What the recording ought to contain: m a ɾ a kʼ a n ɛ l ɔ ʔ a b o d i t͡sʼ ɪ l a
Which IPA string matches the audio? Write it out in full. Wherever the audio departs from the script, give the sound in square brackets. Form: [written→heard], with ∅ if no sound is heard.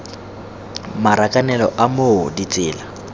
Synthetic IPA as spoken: m a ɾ a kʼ a n ɛ l ɔ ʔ a [b→m] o d i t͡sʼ [ɪ→ɪː] l a